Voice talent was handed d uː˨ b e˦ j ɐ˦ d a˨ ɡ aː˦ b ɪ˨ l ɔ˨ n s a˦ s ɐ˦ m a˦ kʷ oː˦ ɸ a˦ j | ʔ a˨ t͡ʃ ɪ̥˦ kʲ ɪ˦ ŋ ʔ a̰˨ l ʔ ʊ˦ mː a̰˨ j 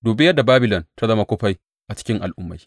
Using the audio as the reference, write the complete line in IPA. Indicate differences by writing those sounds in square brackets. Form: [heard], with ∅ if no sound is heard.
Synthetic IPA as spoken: d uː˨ b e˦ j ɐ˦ d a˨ [b] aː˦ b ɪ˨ l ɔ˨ n [t] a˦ [z] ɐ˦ m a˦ kʷ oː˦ ɸ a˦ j | ʔ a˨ t͡ʃ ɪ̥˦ kʲ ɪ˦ ŋ ʔ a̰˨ l ʔ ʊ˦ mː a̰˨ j